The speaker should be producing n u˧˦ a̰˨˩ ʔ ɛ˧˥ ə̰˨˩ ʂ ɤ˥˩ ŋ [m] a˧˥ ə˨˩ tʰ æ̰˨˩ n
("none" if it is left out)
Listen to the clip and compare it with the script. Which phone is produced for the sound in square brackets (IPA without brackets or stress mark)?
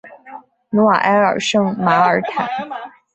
m